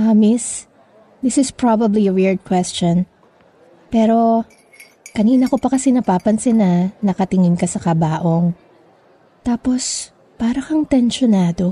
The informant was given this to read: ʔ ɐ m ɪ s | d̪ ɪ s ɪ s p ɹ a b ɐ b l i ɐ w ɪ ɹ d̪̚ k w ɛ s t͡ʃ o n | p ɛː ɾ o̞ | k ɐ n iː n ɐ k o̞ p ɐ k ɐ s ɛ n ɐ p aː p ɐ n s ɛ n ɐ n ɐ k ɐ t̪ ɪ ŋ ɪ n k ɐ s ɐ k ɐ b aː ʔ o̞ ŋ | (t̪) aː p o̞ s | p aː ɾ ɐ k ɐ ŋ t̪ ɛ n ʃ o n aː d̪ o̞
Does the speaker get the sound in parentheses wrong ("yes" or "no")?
no